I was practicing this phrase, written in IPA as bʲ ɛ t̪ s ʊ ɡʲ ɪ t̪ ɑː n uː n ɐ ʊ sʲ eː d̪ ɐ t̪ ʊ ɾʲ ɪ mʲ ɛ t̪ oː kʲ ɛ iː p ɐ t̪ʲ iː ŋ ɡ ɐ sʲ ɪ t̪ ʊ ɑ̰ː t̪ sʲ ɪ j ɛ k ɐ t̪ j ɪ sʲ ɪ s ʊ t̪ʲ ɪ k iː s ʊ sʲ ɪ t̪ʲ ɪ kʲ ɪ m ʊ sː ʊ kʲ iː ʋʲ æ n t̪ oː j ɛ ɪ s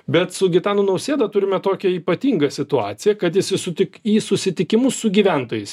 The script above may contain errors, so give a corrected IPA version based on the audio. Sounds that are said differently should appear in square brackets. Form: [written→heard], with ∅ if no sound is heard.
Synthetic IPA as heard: bʲ ɛ t̪ s ʊ ɡʲ ɪ t̪ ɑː n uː n ɐ ʊ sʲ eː d̪ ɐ t̪ ʊ ɾʲ ɪ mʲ ɛ t̪ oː kʲ ɛ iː p ɐ t̪ʲ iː ŋ ɡ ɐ sʲ ɪ t̪ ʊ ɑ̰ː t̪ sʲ ɪ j ɛ k ɐ t̪ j ɪ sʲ ɪ s ʊ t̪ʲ ɪ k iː s ʊ sʲ ɪ t̪ʲ ɪ kʲ ɪ m ʊ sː ʊ [kʲ→ɡʲ] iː ʋʲ æ n t̪ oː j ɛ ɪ s